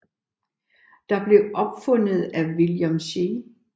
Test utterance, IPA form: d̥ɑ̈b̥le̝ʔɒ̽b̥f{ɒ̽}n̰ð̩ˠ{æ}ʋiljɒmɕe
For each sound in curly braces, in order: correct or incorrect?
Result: incorrect: ɔ̽, correct

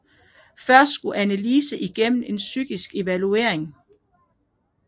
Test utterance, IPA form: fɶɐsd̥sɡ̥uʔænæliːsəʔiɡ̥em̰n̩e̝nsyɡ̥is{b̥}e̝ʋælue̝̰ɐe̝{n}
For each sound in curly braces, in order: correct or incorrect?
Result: incorrect: ɡ̥, incorrect: ŋ

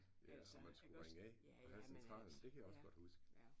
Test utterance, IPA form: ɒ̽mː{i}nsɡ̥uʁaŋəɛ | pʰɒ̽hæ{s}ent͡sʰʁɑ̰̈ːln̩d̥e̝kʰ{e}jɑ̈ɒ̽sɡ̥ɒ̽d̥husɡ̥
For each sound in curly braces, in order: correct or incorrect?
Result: incorrect: æ, correct, incorrect: æ

